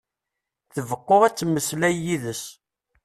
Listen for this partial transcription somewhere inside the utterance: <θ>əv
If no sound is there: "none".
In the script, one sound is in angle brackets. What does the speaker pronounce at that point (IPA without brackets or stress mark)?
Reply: θ